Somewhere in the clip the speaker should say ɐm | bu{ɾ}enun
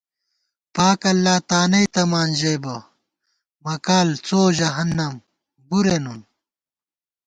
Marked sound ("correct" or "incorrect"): correct